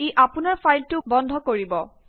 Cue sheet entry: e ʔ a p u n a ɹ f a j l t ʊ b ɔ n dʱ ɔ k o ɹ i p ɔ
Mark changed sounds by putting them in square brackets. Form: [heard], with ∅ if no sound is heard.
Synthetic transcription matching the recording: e ʔ a p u n a ɹ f a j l t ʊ b ɔ n dʱ ɔ k o ɹ i [b] ɔ